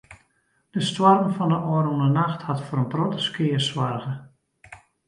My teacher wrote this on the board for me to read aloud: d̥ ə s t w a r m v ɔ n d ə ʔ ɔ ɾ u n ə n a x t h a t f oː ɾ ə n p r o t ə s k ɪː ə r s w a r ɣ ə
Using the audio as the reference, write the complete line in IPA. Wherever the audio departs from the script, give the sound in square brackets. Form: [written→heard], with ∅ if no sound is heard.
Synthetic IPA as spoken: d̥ ə s t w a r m [v→f] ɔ n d ə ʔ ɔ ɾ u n ə n a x t h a t f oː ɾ ə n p r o t ə s k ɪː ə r s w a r ɣ ə

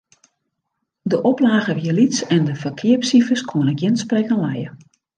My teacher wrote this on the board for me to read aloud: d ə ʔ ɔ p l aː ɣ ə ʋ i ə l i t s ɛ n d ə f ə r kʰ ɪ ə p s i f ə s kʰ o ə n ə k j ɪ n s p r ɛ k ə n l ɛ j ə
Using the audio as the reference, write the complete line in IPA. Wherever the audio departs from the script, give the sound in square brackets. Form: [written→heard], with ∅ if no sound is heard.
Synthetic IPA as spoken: d ə ʔ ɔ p l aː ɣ ə ʋ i ə l i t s ɛ n d ə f ə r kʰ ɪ ə p s i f ə s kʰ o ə n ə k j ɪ n s p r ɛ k ə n l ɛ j ə

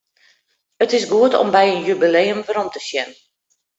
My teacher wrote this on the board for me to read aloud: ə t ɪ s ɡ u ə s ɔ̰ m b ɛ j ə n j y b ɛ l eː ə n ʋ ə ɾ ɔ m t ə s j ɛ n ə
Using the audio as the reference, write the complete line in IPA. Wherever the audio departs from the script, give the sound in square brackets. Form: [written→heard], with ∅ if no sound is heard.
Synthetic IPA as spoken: ə t ɪ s ɡ u ə [s→t] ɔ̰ m b ɛ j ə n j y b [ɛ→i] l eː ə [n→m] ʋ ə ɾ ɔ m t ə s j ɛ n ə

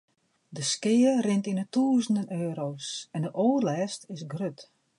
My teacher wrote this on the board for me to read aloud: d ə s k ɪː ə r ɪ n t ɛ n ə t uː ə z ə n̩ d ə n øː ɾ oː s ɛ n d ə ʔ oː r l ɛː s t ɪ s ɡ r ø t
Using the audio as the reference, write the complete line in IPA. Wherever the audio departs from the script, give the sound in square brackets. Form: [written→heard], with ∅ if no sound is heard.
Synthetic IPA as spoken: d ə s k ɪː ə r ɪ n t [ɛ→i] n ə t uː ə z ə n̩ d ə n øː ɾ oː s ɛ n d ə ʔ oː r l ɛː s t ɪ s ɡ r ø t

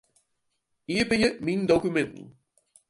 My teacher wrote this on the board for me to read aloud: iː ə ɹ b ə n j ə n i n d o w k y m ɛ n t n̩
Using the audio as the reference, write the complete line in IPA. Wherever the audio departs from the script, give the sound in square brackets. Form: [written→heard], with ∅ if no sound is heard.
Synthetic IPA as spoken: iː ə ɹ b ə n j ə [n→m] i n d o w k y m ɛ n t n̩

